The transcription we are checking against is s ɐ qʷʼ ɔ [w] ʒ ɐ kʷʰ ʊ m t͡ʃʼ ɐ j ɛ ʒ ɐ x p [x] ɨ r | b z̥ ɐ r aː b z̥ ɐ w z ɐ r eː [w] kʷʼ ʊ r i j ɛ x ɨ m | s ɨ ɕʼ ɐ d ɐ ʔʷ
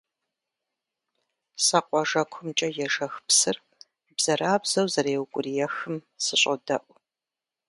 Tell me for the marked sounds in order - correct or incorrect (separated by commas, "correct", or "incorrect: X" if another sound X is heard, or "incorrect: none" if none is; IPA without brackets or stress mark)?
incorrect: none, incorrect: s, correct